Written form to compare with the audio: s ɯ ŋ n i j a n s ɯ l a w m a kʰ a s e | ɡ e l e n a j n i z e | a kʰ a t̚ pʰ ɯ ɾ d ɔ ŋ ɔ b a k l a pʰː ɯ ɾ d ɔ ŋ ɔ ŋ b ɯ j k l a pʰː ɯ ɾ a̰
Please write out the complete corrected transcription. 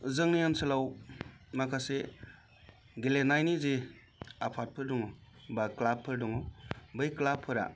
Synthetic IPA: z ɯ ŋ n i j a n s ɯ l a w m a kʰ a s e | ɡ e l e n a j n i z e | a pʰ a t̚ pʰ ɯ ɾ d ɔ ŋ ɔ b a k l a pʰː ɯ ɾ d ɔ ŋ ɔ b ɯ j k l a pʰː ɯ ɾ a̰